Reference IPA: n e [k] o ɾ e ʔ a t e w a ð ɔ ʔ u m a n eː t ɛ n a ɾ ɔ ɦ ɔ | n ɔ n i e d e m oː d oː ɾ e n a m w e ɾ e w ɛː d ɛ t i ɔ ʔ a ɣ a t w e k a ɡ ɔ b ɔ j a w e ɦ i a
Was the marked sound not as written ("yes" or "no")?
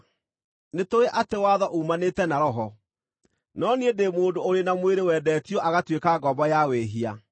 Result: yes